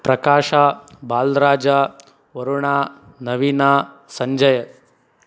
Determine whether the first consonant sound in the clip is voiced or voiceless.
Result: voiceless